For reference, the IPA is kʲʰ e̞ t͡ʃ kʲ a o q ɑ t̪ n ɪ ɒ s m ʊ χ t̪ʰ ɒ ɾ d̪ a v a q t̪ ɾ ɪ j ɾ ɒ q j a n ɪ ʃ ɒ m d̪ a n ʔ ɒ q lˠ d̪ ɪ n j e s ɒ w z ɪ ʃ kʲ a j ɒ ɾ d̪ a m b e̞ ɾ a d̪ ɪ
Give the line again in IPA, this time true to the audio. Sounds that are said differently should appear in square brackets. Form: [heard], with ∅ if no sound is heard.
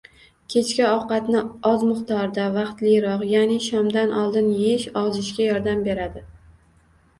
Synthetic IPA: kʲʰ e̞ t͡ʃ kʲ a [ɒ] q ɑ t̪ n ɪ ɒ [z] m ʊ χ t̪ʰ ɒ ɾ d̪ a v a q t̪ [l] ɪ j ɾ ɒ q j a n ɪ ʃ ɒ m d̪ a n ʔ ɒ [∅] lˠ d̪ ɪ n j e [ʃ] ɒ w z ɪ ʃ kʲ a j ɒ ɾ d̪ a m b e̞ ɾ a d̪ ɪ